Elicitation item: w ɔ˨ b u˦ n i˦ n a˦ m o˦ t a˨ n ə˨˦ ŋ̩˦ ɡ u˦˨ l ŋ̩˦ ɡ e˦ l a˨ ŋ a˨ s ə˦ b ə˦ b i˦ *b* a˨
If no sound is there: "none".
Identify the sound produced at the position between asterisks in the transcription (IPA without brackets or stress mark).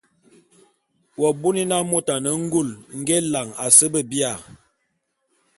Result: none